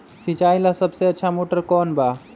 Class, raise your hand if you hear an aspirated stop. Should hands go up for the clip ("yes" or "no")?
no